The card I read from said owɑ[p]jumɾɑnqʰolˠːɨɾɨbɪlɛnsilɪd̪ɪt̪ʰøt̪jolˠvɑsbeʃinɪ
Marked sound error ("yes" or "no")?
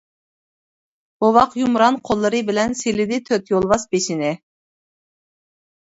yes